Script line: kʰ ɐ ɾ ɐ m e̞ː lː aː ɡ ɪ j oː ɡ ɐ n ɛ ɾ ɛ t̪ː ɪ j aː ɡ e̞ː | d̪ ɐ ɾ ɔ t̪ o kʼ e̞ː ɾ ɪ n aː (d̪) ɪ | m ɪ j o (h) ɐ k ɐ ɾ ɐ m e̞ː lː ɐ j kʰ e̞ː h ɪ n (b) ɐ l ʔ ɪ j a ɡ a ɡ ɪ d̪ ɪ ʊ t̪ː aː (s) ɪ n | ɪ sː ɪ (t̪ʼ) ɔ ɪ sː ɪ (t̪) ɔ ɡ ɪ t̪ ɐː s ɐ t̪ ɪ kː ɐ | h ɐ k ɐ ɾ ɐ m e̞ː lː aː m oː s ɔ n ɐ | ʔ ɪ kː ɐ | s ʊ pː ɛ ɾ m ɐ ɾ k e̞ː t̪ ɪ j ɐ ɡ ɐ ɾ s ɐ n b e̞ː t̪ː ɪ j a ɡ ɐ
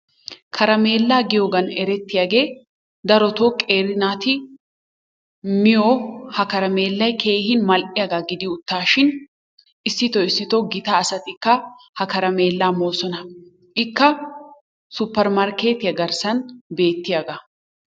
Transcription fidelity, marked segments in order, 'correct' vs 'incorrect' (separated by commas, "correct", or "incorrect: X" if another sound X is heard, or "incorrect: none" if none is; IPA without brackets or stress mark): incorrect: t̪, correct, incorrect: m, incorrect: ʃ, incorrect: t̪, correct